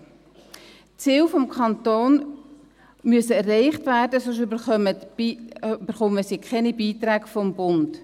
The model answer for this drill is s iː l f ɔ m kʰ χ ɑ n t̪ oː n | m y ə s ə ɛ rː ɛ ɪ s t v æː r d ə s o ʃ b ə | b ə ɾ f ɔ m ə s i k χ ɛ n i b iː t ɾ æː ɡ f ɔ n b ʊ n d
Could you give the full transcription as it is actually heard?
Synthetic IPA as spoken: t͡s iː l f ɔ m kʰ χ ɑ n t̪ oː n | m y ə s ə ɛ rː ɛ ɪ χ t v æː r d ə s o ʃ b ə | b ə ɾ χ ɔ m ə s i k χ ɛ n i b iː t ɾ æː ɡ f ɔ m b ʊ n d